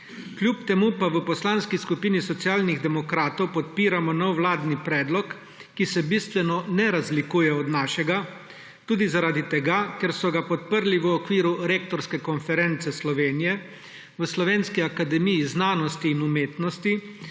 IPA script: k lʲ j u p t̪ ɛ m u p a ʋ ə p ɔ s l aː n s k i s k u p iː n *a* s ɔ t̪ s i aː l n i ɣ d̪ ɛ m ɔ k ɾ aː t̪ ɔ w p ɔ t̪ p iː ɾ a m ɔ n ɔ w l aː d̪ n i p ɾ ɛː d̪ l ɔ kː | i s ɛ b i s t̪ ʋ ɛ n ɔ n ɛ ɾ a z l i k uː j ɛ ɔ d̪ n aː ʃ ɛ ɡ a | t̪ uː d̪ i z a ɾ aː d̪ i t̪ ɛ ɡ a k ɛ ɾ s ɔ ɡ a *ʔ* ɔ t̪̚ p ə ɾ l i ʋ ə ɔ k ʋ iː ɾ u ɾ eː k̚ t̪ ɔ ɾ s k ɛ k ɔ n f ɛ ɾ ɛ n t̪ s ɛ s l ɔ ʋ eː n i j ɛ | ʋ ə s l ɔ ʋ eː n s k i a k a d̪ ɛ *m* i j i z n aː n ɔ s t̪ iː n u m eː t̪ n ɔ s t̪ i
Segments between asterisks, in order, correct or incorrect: incorrect, incorrect, correct

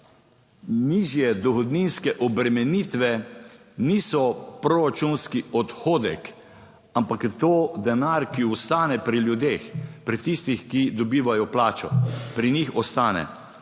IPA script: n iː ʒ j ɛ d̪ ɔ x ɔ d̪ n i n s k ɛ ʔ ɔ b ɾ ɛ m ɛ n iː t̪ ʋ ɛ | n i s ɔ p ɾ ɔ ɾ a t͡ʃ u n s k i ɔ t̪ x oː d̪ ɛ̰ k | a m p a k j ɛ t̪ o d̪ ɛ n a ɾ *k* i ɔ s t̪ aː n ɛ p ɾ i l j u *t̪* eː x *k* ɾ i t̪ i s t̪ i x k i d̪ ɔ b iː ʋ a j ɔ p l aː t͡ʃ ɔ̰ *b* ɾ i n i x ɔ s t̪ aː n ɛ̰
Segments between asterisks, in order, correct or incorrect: correct, incorrect, incorrect, incorrect

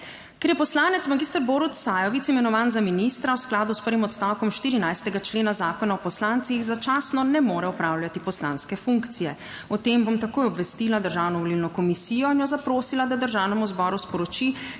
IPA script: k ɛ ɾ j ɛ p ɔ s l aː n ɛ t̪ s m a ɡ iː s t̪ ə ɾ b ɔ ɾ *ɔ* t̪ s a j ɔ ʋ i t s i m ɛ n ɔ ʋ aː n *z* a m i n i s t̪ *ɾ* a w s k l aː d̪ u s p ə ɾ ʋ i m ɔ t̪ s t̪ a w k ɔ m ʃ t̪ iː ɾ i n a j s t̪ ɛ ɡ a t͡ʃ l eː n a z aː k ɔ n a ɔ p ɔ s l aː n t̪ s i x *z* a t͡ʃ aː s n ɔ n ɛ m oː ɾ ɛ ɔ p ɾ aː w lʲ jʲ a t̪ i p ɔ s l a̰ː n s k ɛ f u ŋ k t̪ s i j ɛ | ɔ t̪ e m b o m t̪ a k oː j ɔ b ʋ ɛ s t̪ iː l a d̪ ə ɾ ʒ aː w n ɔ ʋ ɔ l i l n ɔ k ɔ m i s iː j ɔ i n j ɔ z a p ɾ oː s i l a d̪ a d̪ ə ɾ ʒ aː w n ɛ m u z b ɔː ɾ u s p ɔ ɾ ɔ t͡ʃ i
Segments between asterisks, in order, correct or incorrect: incorrect, correct, correct, correct

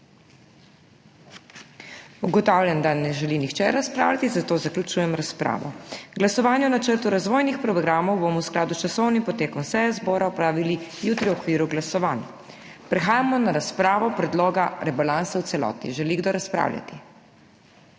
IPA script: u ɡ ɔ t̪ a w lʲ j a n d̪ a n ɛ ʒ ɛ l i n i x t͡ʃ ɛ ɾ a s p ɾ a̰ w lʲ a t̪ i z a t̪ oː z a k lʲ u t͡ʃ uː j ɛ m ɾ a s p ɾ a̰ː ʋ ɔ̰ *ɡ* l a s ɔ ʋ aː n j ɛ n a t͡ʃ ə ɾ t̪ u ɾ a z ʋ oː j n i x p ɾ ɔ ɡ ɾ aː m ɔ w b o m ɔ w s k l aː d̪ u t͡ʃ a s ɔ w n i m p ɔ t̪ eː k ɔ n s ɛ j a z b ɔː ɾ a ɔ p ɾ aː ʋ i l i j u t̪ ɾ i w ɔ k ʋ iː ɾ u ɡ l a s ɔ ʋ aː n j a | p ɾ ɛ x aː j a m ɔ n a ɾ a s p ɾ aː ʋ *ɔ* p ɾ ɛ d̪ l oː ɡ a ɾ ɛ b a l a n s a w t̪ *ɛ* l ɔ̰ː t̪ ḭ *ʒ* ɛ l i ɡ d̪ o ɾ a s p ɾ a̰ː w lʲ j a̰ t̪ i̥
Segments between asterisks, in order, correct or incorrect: correct, correct, correct, correct

